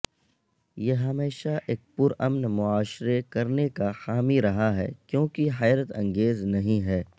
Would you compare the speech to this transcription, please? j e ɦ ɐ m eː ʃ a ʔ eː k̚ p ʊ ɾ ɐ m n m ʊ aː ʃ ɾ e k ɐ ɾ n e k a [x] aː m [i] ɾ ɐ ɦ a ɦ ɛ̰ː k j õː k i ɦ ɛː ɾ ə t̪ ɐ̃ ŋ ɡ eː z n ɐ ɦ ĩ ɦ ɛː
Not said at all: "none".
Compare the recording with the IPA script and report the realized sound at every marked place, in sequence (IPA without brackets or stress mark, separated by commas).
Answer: x, i